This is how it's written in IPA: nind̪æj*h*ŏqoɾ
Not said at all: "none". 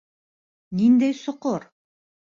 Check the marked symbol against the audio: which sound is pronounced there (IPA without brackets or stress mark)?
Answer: s